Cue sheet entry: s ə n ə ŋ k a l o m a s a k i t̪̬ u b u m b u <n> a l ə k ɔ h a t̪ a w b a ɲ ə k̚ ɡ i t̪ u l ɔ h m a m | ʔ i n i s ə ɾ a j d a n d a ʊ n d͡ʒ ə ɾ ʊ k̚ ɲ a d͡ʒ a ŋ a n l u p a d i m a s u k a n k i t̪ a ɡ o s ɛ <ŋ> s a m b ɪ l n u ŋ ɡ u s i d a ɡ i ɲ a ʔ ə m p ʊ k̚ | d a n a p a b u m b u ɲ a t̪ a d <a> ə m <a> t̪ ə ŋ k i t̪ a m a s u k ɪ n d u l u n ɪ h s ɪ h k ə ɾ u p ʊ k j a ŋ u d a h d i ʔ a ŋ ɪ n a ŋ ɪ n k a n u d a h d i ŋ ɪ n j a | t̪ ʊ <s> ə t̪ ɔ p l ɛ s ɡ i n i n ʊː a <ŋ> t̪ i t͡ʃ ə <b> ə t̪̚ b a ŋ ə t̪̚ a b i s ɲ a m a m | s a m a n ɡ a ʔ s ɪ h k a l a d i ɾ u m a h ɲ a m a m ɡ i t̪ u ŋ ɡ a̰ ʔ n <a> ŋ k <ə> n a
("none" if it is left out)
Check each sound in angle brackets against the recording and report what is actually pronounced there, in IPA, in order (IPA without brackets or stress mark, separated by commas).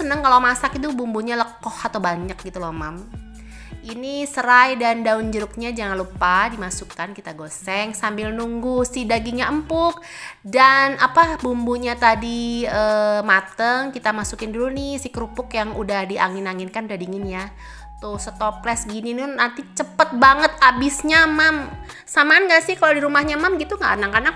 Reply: ɲ, ŋ, i, a, s, n, p, a, a